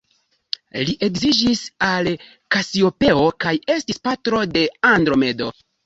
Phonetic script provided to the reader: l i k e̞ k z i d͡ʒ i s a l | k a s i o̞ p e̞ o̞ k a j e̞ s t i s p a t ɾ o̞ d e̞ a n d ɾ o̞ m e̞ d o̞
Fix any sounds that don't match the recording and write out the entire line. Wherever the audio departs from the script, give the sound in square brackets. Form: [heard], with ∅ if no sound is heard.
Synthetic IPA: l i [ʔ] e̞ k z i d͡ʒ i s a l | k a s i o̞ p e̞ o̞ k a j e̞ s t i s p a t ɾ o̞ d e̞ a n d ɾ o̞ m e̞ d o̞